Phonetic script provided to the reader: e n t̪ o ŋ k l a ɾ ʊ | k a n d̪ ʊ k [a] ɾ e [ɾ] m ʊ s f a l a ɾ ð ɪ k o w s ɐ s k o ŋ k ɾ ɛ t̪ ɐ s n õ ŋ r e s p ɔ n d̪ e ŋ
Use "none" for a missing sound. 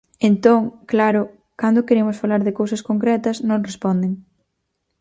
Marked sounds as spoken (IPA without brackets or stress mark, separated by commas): e, none